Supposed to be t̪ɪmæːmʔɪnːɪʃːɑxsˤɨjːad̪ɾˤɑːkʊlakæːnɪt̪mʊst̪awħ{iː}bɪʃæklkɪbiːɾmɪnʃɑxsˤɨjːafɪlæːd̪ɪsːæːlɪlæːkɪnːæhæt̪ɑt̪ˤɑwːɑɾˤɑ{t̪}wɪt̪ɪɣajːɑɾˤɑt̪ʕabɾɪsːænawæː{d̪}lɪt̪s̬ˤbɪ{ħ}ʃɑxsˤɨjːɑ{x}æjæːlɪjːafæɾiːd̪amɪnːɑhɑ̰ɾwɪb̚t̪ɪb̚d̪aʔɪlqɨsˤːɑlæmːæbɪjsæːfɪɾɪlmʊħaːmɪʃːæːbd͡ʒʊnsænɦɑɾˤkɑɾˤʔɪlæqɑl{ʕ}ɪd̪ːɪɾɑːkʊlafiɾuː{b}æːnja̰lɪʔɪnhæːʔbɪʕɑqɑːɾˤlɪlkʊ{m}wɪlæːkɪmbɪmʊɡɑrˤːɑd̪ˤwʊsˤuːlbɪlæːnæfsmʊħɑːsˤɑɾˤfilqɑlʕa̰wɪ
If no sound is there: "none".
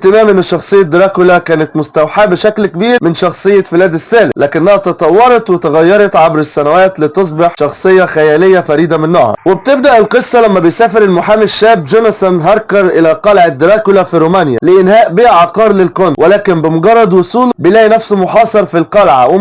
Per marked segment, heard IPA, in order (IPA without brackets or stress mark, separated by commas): aː, t̪, t̪, ħ, x, ʕ, m, n